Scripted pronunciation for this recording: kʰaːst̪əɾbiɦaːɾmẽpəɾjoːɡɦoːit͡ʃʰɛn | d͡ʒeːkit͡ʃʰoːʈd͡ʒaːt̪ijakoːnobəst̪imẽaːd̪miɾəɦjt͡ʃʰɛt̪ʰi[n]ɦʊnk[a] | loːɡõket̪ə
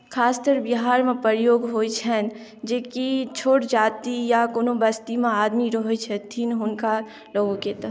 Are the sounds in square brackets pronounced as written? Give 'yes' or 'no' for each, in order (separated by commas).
yes, yes